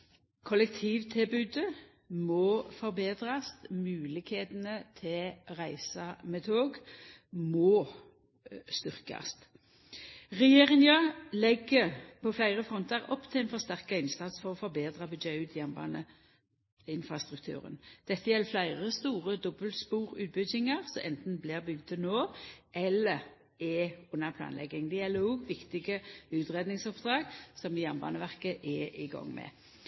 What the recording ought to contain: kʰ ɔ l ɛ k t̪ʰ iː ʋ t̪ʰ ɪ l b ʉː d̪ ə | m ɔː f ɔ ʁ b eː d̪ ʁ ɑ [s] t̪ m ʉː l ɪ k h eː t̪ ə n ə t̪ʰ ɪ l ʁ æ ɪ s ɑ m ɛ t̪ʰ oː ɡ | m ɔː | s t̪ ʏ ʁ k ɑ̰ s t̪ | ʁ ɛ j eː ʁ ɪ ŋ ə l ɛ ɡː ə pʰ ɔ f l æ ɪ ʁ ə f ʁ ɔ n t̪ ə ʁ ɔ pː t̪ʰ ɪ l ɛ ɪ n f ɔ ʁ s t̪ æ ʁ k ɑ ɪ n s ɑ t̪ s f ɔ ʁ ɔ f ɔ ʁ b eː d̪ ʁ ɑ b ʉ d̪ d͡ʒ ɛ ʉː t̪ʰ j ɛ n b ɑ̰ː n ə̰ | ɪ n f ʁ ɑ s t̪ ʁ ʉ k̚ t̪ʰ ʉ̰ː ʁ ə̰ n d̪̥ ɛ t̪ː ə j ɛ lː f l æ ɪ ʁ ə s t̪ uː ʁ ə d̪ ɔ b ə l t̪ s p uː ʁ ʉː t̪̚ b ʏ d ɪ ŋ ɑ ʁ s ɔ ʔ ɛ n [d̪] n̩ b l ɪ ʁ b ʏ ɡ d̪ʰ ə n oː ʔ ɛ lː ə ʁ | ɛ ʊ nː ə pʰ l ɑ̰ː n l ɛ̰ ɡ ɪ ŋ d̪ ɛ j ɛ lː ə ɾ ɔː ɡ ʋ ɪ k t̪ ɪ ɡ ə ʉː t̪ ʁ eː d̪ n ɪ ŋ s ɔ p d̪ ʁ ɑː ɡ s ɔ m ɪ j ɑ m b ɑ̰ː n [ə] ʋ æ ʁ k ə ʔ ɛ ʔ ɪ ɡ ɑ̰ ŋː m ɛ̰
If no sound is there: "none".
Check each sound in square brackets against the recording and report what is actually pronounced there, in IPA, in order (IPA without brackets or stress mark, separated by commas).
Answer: s, t̪, ə